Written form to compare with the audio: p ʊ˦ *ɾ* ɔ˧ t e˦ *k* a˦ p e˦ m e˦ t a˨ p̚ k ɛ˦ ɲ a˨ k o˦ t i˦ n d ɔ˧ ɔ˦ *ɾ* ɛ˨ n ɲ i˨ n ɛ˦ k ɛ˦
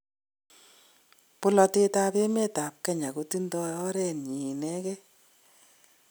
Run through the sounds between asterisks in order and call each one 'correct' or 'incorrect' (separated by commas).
incorrect, incorrect, correct